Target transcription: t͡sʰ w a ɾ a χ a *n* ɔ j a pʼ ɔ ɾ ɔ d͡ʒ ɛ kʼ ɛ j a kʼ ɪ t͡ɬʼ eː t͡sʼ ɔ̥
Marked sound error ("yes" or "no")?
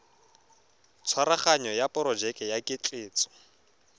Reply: yes